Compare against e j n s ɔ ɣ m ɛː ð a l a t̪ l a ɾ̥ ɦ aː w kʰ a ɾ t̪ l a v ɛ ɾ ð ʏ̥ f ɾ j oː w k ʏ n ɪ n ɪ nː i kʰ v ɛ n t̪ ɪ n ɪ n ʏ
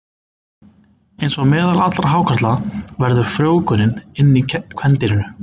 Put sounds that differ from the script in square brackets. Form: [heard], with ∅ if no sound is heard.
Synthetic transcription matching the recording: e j n s ɔ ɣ m ɛː ð a l a t̪ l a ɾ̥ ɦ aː w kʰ a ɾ t̪ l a v ɛ ɾ ð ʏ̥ f ɾ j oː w k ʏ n ɪ n ɪ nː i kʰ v ɛ n t̪ ɪ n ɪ n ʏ